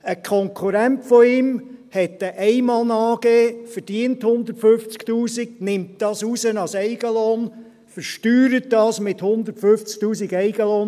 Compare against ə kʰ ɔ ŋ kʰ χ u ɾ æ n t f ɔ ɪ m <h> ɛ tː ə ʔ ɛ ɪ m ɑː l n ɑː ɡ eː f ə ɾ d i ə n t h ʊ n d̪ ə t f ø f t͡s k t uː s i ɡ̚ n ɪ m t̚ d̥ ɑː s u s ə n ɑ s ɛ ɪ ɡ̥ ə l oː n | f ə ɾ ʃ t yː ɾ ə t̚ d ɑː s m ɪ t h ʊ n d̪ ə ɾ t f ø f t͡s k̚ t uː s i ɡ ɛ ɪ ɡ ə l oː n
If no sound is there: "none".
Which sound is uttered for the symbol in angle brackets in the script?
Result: h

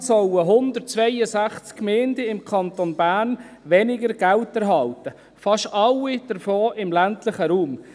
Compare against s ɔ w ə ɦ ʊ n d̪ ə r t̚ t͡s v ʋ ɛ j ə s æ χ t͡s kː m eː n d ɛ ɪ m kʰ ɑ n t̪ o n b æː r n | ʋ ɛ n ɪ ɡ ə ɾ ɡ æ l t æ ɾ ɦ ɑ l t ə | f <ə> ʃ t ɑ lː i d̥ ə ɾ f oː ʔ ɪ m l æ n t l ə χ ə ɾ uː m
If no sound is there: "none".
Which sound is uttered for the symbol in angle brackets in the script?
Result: ɑ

